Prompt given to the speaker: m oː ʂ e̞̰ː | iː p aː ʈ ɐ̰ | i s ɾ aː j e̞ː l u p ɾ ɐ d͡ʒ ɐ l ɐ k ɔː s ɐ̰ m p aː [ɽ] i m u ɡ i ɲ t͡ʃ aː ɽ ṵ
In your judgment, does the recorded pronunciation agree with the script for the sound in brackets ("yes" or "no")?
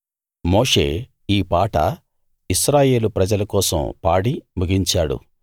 yes